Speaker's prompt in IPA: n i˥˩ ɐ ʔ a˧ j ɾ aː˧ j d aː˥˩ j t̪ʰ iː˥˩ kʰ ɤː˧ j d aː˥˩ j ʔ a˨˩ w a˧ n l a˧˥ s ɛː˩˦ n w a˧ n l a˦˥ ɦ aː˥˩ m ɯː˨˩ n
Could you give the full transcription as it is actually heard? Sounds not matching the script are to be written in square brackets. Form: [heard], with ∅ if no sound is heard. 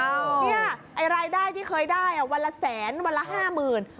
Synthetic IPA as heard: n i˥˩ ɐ ʔ a˧ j ɾ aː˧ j d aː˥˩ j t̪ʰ iː˥˩ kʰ ɤː˧ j d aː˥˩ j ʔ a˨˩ w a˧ n l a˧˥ s ɛː˩˦ n w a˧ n l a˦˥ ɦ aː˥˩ m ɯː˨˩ n